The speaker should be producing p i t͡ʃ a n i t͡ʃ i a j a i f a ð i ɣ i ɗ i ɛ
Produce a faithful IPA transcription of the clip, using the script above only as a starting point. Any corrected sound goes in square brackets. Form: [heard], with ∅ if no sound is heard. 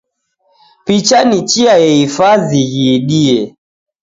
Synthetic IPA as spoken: p i t͡ʃ a n i t͡ʃ i a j [ɛ] i f a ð i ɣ i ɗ i ɛ